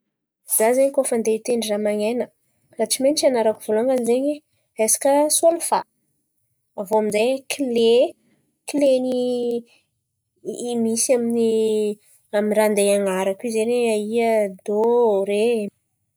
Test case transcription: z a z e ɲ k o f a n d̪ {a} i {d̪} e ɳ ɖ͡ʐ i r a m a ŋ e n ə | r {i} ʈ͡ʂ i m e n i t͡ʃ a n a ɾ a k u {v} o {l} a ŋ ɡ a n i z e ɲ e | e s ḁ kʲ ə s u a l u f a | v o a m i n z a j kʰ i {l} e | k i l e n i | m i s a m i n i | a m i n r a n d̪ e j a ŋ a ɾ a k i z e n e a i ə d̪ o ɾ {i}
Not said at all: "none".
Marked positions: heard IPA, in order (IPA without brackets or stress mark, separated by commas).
e, t̪, a, v, l, l, e